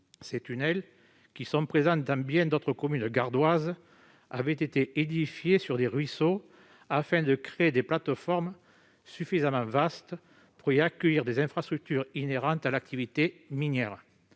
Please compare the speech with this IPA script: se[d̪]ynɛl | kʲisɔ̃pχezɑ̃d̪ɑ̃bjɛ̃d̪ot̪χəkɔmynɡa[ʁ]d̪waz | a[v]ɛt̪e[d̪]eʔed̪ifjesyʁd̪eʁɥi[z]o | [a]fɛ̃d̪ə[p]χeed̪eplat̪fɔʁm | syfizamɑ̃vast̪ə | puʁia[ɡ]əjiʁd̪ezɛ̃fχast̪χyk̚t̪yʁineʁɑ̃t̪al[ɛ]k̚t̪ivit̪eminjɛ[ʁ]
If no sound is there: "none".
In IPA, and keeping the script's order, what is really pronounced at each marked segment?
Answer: t̪, ʁ, v, t̪, s, a, k, k, a, ʁ

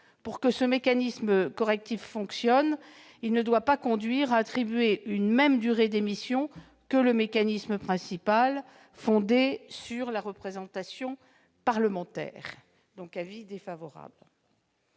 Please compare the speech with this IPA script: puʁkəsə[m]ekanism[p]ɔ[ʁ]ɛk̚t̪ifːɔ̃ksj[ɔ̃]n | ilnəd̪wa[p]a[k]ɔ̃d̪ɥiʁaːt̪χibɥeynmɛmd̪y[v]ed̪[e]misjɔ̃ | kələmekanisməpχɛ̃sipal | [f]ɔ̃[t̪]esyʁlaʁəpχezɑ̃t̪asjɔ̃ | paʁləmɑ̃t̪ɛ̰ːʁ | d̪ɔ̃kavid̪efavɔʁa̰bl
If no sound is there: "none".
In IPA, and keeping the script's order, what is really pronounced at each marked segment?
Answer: m, k, ʁ, ɔ, p, k, ʁ, e, f, d̪

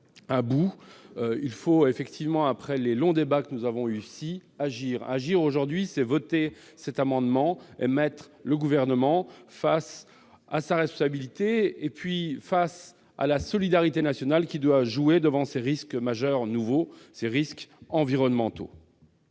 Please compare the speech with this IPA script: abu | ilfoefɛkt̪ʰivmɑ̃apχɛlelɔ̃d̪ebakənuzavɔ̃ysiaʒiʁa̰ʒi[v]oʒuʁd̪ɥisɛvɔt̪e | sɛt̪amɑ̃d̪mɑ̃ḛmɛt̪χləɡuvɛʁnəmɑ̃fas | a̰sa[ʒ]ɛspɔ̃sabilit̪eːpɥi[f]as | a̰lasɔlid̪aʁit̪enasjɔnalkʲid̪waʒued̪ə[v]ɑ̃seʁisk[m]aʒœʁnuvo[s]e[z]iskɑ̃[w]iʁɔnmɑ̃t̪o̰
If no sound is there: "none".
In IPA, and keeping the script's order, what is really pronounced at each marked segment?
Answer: ʁ, ʁ, f, v, m, s, ʁ, v

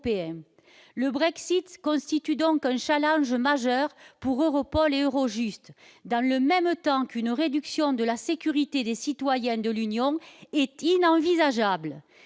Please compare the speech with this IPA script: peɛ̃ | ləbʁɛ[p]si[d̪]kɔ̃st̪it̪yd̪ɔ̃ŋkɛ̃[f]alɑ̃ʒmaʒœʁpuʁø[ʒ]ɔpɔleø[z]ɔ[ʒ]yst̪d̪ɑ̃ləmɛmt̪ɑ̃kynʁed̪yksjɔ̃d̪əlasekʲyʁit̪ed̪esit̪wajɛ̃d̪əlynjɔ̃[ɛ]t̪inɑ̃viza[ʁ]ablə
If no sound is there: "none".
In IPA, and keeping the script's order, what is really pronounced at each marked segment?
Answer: k, t̪, ʃ, ʁ, ʁ, ʒ, ɛ, ʒ

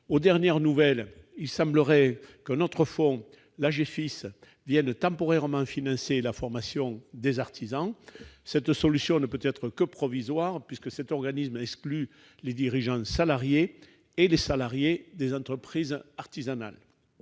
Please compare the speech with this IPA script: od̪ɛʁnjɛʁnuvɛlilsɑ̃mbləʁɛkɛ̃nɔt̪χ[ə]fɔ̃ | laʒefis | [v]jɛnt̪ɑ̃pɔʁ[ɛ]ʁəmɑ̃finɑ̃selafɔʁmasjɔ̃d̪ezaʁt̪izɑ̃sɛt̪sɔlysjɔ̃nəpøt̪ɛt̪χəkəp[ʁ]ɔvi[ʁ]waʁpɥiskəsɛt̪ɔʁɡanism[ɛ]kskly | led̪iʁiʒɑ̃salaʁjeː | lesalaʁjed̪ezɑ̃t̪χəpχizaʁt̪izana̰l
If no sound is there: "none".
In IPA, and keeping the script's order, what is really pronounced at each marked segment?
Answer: ə, v, ɛ, χ, z, ɛ

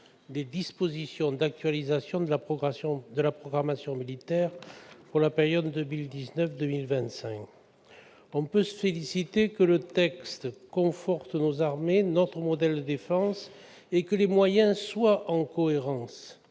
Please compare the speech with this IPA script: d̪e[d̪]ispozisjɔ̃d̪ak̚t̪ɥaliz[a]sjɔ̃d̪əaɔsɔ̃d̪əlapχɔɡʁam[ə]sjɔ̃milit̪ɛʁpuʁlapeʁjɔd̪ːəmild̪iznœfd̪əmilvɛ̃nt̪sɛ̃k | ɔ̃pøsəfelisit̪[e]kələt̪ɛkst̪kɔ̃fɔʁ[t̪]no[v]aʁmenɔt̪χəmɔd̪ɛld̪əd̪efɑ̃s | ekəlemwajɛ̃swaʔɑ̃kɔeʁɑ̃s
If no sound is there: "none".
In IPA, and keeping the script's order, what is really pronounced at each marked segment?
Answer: d̪, a, a, e, t̪, z

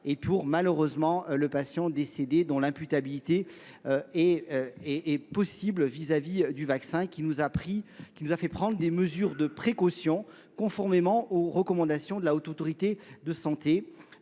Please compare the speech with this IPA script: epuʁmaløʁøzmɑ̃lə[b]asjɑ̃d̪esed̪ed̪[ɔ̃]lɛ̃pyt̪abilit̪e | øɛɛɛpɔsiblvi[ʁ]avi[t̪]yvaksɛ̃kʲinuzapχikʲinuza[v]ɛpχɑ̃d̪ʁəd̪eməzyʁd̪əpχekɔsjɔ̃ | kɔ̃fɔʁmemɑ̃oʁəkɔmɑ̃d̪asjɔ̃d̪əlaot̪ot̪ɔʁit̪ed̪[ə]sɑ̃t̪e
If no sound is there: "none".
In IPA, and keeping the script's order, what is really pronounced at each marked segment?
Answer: p, ɔ̃, z, d̪, f, ə

